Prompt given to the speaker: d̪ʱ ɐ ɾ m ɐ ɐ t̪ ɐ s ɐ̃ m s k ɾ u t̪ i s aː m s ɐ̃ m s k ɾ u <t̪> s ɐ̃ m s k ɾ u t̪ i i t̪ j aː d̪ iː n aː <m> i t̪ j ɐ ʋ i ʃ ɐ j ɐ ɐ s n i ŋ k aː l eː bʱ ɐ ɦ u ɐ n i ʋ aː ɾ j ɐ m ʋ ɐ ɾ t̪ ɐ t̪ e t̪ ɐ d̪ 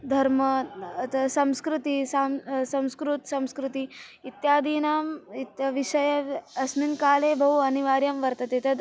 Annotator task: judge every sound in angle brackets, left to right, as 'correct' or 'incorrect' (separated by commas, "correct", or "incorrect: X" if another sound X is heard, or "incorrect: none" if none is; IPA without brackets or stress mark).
correct, correct